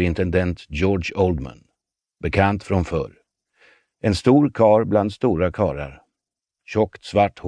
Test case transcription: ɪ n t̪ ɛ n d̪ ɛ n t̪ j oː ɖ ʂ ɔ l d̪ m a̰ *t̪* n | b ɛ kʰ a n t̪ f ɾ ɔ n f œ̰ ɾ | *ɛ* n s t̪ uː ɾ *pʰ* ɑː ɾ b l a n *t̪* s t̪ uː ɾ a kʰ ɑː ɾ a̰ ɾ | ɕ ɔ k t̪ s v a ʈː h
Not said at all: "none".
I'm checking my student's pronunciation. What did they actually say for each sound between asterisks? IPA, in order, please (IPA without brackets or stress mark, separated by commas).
none, ɛ, kʰ, d̪